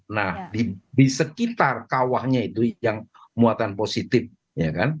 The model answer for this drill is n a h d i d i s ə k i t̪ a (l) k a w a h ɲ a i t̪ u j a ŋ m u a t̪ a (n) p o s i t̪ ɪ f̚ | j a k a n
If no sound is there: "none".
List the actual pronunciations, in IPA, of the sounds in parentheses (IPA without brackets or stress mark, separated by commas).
r, n